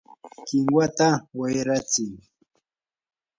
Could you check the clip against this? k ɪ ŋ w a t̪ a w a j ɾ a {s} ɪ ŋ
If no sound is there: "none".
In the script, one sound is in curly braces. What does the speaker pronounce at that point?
t͡s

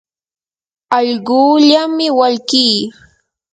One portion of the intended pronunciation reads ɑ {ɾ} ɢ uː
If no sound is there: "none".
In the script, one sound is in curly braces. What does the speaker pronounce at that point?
ʎ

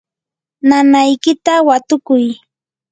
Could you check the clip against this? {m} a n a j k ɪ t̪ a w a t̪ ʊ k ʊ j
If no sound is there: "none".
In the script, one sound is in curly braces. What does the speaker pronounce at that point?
n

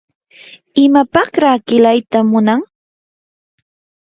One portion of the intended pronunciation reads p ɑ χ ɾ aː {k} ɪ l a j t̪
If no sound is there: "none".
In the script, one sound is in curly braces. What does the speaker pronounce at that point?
k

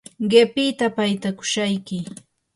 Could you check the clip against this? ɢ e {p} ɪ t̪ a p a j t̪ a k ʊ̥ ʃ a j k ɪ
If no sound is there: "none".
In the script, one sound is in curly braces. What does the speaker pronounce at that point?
p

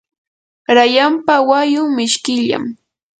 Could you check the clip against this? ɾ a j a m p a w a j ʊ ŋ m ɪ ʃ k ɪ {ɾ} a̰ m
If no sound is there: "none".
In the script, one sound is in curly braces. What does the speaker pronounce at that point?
ʎ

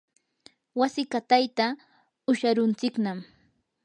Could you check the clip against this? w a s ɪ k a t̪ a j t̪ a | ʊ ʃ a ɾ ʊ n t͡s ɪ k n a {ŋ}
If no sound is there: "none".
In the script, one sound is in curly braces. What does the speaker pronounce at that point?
m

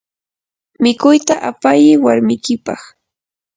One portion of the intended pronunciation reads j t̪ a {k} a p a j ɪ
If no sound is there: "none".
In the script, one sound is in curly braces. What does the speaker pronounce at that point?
ʔ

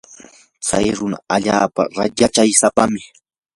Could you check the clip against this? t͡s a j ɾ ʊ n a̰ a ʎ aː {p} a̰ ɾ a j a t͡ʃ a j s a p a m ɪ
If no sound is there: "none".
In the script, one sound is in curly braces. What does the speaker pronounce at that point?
p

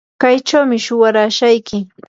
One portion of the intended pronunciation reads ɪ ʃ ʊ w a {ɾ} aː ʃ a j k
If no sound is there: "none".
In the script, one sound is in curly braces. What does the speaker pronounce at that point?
ɾ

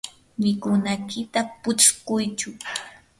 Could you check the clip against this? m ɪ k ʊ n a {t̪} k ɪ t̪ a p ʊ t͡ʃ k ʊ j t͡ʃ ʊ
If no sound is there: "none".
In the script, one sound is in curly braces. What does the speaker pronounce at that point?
none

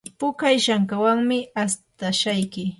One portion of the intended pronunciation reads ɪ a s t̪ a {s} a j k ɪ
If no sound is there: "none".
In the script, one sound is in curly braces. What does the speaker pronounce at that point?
ʃ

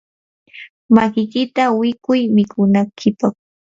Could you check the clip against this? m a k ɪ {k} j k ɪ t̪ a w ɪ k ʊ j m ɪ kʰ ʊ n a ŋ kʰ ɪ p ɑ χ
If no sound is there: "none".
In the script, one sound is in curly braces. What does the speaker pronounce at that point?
none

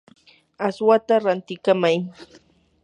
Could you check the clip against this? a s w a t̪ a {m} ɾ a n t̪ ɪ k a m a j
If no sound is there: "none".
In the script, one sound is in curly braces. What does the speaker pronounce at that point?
none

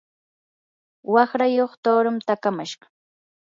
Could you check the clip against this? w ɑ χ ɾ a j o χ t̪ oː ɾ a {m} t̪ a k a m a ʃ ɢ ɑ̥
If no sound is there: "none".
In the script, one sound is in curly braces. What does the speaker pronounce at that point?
m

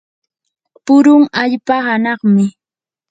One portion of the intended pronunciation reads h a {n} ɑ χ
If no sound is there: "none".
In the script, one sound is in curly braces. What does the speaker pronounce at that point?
n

